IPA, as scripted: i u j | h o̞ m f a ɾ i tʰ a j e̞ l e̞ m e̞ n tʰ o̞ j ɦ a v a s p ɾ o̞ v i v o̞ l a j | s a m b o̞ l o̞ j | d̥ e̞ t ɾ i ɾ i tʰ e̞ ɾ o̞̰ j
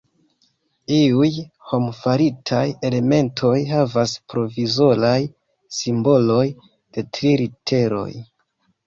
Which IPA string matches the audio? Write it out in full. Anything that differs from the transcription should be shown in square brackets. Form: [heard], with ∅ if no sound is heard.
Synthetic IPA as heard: i u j | h o̞ m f a ɾ i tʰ a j e̞ l e̞ m e̞ n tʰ o̞ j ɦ a v a s p ɾ o̞ v i [z] o̞ l a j | s [i] m b o̞ l o̞ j | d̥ e̞ t ɾ i ɾ i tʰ e̞ ɾ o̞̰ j